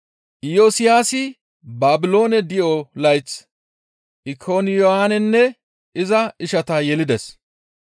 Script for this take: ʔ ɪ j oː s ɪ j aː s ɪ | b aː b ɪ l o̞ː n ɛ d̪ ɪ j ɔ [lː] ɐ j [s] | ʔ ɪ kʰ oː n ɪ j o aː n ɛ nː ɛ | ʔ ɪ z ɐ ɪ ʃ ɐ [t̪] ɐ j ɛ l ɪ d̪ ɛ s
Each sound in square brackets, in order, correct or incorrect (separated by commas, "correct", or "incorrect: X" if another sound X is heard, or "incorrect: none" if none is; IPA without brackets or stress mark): incorrect: l, incorrect: t͡s, correct